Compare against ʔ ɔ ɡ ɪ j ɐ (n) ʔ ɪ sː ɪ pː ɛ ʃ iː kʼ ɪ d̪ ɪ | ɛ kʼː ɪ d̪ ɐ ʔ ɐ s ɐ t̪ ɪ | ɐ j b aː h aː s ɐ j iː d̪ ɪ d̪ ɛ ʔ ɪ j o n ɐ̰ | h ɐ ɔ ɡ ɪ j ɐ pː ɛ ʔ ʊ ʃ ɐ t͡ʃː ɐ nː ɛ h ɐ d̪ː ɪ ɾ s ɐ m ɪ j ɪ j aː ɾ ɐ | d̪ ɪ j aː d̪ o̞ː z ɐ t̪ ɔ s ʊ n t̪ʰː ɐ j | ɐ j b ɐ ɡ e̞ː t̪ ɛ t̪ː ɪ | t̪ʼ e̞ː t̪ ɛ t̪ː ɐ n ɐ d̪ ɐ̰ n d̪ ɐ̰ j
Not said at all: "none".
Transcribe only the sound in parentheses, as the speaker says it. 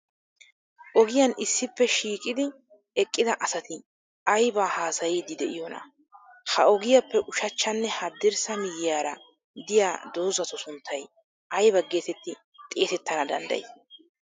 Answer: n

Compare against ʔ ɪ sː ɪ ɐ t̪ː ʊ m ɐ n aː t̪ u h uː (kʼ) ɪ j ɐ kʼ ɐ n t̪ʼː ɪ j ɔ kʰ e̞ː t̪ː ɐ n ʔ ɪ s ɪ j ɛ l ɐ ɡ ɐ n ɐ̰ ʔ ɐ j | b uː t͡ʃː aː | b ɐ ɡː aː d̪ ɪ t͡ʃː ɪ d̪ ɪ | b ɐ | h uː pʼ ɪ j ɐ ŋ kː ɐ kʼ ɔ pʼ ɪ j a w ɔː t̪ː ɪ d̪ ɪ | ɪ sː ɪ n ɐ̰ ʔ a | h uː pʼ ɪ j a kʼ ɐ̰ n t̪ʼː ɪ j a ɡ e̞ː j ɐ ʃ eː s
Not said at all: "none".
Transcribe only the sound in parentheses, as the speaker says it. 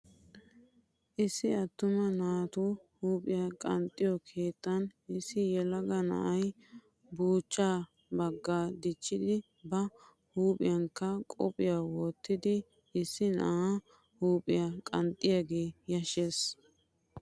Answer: pʼ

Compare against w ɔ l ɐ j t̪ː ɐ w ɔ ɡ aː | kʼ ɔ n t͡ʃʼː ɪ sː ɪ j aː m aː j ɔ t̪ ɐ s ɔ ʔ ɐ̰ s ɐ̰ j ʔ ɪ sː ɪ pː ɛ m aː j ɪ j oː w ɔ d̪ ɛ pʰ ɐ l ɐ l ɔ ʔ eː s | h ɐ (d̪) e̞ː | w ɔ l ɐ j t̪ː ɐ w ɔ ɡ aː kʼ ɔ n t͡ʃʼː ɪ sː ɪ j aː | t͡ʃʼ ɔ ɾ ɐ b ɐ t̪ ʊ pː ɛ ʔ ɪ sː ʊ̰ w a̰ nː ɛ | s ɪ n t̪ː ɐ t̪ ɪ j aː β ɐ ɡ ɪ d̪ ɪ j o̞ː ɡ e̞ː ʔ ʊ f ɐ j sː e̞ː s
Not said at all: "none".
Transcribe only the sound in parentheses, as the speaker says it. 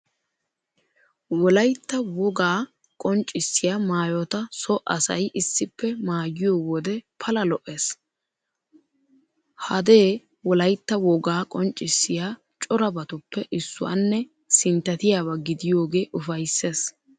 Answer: d̪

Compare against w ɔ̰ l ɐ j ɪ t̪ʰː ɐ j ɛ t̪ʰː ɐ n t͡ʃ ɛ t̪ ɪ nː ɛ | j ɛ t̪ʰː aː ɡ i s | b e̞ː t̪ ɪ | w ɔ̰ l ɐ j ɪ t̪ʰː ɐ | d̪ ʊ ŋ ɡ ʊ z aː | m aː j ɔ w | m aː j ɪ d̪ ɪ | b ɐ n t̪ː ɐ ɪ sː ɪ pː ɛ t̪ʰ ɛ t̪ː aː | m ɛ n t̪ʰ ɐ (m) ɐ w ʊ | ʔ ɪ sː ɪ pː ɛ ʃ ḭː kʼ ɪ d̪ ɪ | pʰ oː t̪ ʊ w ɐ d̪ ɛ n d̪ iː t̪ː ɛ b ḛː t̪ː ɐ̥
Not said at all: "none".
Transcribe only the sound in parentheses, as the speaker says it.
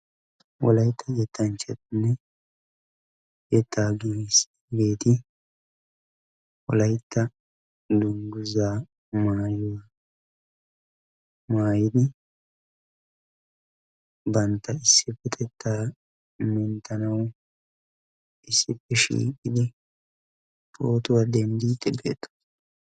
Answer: n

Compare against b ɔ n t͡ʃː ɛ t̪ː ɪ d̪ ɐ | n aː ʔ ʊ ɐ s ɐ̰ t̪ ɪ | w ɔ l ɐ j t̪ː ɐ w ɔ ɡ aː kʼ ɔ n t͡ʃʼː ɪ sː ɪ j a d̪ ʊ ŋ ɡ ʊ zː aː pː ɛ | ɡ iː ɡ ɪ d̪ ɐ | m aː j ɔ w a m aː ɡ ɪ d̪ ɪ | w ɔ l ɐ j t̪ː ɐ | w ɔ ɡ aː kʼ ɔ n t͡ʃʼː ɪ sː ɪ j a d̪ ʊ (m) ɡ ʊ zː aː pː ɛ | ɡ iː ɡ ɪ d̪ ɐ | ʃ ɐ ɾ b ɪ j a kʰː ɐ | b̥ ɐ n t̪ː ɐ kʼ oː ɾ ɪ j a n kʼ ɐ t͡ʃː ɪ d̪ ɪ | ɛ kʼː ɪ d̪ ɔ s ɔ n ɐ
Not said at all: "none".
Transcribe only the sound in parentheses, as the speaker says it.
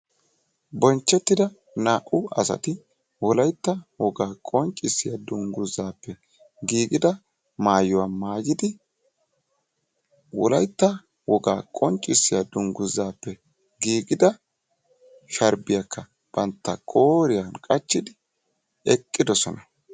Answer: ŋ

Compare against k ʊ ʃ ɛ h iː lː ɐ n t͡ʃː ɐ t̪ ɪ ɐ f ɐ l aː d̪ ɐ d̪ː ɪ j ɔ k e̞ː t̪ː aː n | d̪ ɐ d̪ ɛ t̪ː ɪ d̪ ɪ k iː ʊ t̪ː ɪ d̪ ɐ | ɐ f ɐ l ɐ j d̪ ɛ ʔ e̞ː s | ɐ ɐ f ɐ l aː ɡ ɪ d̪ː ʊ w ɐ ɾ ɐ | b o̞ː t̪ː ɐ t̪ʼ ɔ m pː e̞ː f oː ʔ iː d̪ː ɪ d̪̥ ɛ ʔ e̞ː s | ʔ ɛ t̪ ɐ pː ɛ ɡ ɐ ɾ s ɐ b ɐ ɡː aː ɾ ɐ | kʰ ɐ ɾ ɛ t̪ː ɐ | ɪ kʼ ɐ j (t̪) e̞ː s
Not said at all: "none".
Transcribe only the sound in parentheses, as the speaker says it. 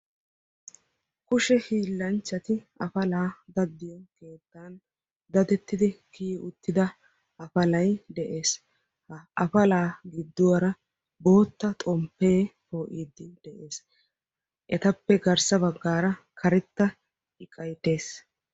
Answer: t̪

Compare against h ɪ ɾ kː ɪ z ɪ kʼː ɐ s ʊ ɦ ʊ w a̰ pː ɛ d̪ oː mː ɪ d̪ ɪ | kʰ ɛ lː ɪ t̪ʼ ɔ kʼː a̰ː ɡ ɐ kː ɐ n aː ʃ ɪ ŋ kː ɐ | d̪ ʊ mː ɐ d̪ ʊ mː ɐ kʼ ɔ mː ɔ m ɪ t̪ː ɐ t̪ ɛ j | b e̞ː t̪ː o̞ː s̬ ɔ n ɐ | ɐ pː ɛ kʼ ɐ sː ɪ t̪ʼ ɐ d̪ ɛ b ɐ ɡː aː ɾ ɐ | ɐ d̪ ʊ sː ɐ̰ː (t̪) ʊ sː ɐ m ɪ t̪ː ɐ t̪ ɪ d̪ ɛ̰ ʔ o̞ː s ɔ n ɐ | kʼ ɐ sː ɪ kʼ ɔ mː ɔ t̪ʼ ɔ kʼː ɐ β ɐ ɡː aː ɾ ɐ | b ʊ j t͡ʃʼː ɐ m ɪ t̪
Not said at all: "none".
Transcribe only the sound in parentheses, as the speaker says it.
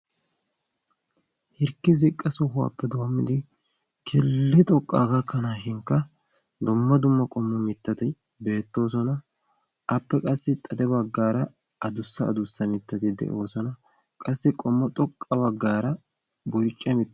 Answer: d̪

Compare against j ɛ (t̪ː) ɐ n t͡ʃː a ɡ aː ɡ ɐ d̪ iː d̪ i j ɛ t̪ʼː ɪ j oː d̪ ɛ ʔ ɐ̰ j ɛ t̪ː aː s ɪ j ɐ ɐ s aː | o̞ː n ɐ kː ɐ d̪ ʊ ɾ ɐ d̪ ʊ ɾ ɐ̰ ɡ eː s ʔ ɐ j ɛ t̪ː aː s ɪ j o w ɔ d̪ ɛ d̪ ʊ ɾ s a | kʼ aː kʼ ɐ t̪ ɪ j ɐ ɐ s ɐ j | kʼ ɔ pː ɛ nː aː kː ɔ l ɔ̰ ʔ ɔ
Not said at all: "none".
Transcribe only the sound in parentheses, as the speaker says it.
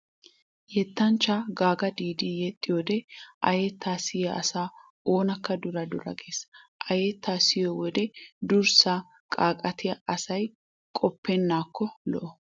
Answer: t̪ː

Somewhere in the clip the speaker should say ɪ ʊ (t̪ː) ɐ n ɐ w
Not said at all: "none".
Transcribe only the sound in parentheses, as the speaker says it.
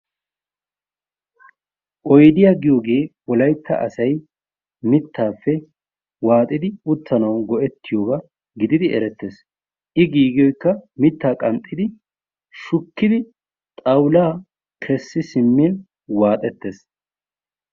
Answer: t̪ː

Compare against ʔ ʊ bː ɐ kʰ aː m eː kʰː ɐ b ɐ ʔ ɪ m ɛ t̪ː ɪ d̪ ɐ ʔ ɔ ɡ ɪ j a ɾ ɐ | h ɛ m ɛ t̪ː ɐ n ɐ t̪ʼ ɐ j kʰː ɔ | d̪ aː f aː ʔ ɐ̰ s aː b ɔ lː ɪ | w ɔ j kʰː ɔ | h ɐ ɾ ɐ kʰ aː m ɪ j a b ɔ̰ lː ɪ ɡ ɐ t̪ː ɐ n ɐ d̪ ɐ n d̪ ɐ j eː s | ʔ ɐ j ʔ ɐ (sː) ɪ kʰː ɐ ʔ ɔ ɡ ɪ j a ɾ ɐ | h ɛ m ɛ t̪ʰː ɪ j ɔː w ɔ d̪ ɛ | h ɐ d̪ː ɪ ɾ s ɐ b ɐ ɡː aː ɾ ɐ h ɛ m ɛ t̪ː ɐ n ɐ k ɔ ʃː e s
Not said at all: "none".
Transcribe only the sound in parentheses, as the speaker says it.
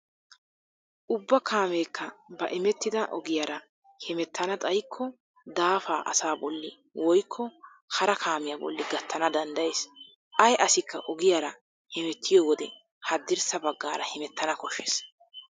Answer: s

